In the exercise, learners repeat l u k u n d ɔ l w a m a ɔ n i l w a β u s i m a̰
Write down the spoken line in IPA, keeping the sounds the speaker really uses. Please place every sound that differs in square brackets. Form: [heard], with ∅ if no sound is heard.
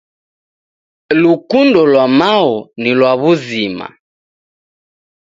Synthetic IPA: l u k u n d ɔ l w a m a ɔ n i l w a β u [z] i m a̰

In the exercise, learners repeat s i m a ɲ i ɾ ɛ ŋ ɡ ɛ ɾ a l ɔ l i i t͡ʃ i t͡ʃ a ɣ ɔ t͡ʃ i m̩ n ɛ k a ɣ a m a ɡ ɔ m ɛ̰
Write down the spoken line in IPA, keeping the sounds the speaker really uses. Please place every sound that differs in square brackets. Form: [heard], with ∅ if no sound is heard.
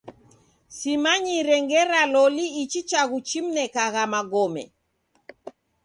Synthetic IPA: s i m a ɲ i ɾ ɛ ŋ ɡ ɛ ɾ a l ɔ l i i t͡ʃ i t͡ʃ a ɣ [u] t͡ʃ i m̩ n ɛ k a ɣ a m a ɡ ɔ m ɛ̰

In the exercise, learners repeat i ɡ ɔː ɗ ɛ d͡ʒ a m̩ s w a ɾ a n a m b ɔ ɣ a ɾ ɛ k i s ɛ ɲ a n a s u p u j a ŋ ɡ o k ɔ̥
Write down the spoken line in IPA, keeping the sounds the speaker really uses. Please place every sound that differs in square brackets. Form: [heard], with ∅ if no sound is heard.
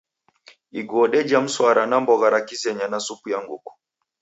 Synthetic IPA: i ɡ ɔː ɗ ɛ d͡ʒ a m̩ s w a ɾ a n a m b ɔ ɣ a ɾ [a] k i s ɛ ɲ a n a s u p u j a ŋ ɡ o k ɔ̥

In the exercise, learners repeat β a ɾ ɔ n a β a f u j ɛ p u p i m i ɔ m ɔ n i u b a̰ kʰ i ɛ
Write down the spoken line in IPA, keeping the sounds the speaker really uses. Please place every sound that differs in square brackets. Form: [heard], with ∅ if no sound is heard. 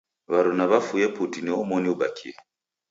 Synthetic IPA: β a ɾ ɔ n a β a f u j ɛ p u [t] i [n] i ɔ m ɔ n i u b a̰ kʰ i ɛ

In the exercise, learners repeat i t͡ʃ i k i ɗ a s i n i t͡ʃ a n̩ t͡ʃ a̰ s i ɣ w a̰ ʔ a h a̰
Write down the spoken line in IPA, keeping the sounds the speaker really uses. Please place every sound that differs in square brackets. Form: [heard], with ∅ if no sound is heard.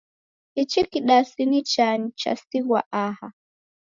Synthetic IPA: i t͡ʃ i k i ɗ a s i n i t͡ʃ a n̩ t͡ʃ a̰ s i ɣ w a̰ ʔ a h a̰

